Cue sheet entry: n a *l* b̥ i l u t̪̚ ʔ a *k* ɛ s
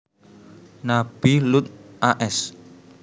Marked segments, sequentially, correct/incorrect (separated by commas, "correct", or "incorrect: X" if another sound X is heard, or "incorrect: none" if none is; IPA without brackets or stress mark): incorrect: none, incorrect: ʔ